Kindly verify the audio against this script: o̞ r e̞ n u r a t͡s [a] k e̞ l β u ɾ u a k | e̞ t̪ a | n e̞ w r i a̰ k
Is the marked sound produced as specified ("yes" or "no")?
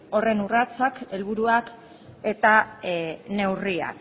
yes